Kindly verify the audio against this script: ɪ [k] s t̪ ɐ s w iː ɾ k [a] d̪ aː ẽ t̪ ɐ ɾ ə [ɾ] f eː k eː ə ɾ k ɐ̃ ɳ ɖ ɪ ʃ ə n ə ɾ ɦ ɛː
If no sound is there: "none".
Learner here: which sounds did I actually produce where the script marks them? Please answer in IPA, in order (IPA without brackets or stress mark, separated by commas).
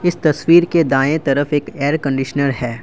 none, e, none